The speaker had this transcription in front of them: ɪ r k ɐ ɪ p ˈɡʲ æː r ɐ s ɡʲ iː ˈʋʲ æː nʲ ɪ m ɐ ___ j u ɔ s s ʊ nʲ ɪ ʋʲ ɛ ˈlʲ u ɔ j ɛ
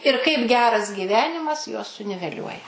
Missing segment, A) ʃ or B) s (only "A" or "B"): B